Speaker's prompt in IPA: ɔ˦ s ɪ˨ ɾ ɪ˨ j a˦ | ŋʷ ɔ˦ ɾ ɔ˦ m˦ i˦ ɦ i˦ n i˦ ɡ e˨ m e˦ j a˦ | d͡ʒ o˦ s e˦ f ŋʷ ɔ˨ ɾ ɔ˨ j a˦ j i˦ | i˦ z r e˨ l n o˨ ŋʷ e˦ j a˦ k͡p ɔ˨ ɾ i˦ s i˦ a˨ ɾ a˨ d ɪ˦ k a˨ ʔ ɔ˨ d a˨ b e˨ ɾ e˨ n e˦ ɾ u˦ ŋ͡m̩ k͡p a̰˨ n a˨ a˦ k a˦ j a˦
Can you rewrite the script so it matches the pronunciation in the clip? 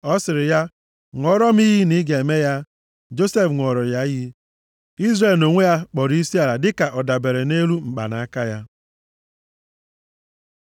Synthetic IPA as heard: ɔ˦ s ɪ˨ ɾ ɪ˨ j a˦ | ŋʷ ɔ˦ ɾ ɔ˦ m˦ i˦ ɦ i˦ n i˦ ɡ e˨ m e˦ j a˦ | d͡ʒ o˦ s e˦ f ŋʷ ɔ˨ ɾ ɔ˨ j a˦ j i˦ | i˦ z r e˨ l n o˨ ŋʷ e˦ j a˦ k͡p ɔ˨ ɾ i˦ s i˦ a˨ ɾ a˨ d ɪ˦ k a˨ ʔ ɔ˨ d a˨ b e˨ ɾ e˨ n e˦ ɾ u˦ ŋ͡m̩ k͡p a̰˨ n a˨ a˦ k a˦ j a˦

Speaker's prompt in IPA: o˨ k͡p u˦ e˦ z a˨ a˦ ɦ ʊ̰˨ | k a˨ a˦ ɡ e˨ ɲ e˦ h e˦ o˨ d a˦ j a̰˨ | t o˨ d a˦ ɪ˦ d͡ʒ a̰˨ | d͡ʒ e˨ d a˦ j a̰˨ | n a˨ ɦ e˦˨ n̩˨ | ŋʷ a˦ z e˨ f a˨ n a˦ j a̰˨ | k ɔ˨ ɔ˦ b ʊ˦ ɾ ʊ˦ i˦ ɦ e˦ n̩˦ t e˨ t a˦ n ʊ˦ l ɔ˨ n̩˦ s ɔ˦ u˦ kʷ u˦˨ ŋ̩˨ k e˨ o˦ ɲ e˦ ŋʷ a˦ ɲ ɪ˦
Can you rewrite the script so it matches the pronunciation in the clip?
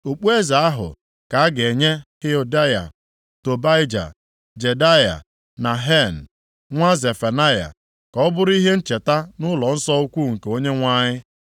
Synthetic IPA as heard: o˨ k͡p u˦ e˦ z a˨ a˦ ɦ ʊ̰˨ | k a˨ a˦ ɡ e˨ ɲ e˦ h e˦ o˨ d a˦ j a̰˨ | t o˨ b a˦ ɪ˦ d͡ʒ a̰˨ | d͡ʒ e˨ d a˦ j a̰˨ | n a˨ ɦ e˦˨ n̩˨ | ŋʷ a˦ z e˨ f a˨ n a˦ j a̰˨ | k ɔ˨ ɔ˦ b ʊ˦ ɾ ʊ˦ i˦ ɦ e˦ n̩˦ t͡ʃ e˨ t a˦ n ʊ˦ l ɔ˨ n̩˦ s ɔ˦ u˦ kʷ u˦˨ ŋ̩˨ k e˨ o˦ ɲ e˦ ŋʷ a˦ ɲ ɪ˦

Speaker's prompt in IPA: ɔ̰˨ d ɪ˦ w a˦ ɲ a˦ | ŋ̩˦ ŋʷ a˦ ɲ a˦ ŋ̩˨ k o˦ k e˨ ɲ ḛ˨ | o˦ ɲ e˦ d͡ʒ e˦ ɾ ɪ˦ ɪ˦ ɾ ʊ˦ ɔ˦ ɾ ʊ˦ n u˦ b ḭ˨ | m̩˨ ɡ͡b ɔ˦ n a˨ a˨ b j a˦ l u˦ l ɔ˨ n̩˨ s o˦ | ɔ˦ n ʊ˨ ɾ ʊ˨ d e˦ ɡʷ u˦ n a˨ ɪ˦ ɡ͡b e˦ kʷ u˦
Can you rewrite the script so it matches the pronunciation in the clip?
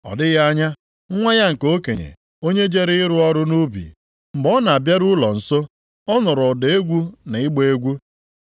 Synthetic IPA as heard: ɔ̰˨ d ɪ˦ ɣ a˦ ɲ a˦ | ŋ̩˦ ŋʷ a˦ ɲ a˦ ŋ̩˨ k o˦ k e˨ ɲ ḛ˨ | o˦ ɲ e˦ d͡ʒ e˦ ɾ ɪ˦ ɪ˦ ɾ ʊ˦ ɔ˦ ɾ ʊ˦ n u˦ b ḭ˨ | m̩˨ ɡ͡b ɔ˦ n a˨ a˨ b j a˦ ɾ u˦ l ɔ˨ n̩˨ s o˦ | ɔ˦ n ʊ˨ ɾ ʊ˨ d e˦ ɡʷ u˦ n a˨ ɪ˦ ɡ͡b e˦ ɡʷ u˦

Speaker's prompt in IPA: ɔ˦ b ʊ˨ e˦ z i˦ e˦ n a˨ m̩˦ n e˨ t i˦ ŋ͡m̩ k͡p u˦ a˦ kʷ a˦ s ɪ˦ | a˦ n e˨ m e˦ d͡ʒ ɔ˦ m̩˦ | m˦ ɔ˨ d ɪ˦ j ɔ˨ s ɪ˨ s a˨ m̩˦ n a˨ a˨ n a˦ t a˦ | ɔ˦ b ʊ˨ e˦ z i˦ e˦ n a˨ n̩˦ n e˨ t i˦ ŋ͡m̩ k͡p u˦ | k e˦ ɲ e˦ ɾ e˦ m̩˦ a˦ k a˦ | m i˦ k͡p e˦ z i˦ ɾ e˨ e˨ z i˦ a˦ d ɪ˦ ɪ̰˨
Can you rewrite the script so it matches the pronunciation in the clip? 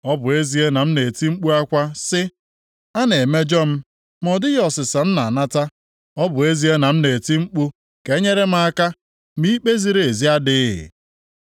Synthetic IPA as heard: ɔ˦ b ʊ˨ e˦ z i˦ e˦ n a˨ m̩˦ n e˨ t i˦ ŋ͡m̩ k͡p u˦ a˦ kʷ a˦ s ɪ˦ | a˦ n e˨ m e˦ d͡ʒ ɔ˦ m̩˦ | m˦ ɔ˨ d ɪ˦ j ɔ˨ s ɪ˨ s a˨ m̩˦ n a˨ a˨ n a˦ t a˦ | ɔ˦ b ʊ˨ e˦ z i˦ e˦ n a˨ m̩˦ n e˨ t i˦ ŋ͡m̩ k͡p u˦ | k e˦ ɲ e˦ ɾ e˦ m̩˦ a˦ k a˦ | m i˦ k͡p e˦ z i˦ ɾ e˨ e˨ z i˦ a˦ d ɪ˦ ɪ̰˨

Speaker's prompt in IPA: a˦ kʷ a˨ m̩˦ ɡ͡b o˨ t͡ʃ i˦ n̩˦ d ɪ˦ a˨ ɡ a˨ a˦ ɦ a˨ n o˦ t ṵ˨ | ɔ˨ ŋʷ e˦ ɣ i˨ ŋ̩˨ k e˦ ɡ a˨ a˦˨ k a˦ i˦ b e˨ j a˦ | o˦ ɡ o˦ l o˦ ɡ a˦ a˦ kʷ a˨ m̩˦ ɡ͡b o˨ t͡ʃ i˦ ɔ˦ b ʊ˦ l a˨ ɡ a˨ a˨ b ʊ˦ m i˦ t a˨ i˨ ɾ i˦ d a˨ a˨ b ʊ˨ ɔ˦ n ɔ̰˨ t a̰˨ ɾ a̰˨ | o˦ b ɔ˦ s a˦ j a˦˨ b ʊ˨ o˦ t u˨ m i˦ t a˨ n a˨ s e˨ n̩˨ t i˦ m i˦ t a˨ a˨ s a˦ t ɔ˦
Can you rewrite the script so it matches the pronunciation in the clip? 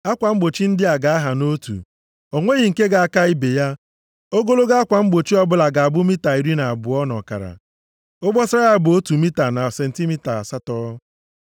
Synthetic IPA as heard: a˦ kʷ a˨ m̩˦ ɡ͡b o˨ t͡ʃ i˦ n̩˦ d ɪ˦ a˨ ɡ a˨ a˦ ɦ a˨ n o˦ t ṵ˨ | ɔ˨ ŋʷ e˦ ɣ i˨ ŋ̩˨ k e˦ ɡ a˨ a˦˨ k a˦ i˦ b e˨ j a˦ | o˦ ɡ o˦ l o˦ ɡ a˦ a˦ kʷ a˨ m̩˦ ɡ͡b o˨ t͡ʃ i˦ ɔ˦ b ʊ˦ l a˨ ɡ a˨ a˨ b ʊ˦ m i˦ t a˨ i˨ ɾ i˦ n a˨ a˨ b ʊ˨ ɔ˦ n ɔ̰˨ k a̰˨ ɾ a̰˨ | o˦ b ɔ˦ s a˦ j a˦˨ b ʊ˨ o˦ t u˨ m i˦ t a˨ n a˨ s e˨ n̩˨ t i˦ m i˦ t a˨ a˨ s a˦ t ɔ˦

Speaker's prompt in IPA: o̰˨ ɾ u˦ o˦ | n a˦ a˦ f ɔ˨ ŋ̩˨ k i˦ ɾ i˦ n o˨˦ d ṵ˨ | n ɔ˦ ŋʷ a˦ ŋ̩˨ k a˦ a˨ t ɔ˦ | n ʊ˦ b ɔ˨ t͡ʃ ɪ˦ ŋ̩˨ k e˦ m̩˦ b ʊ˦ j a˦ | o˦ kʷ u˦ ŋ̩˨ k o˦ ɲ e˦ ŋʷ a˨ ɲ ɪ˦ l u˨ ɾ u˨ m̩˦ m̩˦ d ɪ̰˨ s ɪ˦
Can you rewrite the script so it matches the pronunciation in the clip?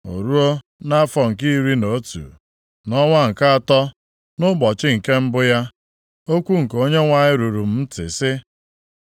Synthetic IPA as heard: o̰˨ ɾ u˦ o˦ | n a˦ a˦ f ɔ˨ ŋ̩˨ k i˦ ɾ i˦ n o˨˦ t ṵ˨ | n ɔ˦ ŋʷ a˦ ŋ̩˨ k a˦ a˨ t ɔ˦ | n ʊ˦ b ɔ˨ t͡ʃ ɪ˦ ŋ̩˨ k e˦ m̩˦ b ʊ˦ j a˦ | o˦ kʷ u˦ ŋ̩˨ k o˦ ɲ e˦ ŋʷ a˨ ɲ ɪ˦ ɾ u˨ ɾ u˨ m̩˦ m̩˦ t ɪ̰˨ s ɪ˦

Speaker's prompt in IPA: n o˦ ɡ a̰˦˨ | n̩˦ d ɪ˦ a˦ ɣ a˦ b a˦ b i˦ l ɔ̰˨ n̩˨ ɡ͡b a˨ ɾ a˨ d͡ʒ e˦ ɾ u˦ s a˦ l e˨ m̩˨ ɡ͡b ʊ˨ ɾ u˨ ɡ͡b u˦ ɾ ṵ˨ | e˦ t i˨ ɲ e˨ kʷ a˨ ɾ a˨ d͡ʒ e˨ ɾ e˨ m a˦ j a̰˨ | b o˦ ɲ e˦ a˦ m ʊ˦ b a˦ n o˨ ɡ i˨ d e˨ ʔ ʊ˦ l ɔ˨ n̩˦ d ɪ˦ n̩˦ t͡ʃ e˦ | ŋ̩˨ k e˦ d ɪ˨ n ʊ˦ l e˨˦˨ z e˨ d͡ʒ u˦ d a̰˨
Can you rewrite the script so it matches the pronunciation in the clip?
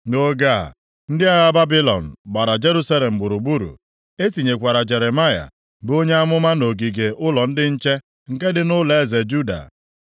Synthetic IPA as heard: n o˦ ɡ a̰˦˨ | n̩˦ d ɪ˦ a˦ ɣ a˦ b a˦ b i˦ l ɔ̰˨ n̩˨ ɡ͡b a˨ ɾ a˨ d͡ʒ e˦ ɾ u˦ s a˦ l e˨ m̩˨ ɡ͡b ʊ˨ ɾ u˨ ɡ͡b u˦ ɾ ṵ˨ | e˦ t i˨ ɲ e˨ kʷ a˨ ɾ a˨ d͡ʒ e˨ ɾ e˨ m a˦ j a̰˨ | b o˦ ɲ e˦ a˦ m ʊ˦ m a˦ n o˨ ɡ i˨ ɡ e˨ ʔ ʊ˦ l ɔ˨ n̩˦ d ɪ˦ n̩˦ t͡ʃ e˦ | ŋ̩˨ k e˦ d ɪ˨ n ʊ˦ l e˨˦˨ z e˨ d͡ʒ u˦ d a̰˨

